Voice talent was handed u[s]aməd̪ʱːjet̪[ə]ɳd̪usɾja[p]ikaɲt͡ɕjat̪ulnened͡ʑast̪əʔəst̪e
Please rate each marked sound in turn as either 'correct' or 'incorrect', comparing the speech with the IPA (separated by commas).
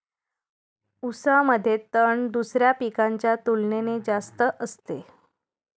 correct, correct, correct